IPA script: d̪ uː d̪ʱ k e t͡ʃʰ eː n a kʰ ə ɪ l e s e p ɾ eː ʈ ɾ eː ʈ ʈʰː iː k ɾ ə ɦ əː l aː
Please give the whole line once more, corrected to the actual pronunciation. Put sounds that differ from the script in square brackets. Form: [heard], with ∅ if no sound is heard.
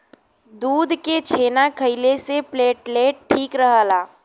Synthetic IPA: d̪ uː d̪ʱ k e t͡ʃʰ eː n a kʰ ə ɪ l e s e p [l] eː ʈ [l] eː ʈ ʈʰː iː k ɾ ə ɦ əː l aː